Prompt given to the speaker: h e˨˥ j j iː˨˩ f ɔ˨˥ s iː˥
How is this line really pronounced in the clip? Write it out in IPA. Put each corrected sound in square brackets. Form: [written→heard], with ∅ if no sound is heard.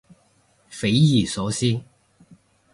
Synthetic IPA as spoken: [h→f] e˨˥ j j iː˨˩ [f→s] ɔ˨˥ s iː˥